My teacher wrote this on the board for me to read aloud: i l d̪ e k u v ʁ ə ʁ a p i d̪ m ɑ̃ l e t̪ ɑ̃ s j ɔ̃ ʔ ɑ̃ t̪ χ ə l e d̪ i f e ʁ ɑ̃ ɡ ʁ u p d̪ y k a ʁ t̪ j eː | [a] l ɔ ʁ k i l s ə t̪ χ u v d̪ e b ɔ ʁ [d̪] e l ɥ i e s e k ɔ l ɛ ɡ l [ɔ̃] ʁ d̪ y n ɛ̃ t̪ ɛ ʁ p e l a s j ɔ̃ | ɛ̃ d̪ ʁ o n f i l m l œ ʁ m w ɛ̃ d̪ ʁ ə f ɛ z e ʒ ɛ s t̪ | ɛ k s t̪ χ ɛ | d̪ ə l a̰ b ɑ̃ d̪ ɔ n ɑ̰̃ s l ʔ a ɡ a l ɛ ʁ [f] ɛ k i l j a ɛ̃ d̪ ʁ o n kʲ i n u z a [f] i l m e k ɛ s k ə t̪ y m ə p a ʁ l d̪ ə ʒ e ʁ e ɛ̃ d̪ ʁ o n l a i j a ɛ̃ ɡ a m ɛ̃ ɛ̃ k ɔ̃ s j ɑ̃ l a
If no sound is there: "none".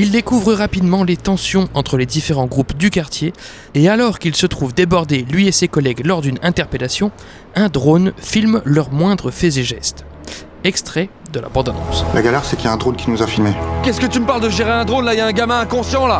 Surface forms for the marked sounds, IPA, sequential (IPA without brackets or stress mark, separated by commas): a, d̪, ɔ, s, f